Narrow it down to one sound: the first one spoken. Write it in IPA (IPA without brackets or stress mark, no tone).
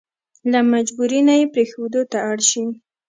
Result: l